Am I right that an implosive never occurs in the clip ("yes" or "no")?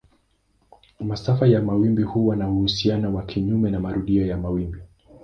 no